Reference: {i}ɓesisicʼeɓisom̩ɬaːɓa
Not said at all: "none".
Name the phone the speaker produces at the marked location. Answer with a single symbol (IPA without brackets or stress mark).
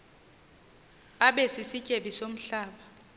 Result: a